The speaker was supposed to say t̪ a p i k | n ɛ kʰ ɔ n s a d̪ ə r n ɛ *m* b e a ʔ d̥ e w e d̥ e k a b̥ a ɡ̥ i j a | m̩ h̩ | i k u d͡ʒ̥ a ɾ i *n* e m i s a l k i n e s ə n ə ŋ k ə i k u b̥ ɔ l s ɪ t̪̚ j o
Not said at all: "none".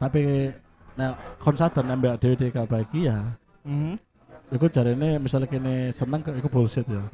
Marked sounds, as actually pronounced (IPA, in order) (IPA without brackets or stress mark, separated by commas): m, n